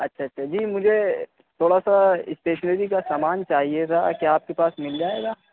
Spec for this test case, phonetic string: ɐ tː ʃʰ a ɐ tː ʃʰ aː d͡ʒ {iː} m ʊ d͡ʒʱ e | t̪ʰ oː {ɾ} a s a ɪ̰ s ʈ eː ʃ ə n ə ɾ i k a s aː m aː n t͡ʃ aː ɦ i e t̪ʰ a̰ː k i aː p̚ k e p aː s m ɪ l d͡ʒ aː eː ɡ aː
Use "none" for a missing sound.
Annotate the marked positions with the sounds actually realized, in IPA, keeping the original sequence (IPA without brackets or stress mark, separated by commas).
iː, ɽ